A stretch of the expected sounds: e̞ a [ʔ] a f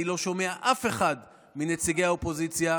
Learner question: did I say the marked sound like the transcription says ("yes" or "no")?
yes